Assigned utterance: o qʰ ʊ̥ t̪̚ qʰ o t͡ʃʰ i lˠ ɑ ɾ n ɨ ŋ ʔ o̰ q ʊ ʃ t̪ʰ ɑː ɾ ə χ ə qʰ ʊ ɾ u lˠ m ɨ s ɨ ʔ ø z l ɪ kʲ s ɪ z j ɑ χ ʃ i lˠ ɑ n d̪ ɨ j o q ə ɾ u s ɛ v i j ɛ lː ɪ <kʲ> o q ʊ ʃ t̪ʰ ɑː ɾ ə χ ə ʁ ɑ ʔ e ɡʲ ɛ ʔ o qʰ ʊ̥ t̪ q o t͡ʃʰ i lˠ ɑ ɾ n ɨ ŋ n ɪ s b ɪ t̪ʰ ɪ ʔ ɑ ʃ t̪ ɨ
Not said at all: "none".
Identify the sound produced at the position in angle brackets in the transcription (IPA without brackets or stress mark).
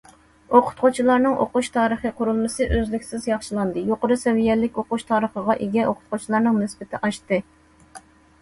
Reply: kʲ